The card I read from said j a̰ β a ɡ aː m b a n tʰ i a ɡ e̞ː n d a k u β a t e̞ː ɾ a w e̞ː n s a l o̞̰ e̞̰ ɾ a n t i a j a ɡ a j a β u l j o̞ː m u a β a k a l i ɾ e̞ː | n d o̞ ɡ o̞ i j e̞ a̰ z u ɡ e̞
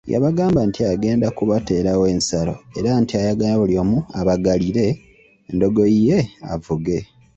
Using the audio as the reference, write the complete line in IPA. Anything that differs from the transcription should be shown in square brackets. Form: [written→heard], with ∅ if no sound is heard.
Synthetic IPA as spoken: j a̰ β a ɡ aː m b a n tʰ i a ɡ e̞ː n d a k u β a t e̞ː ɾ a w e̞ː n s a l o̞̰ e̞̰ ɾ a n t i a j a ɡ a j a β u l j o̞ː m u a β a [k→ɡ] a l i ɾ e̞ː | n d o̞ ɡ o̞ i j e̞ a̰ [z→v] u ɡ e̞